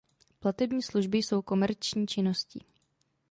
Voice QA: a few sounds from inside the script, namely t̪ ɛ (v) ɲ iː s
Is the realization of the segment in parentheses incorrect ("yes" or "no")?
yes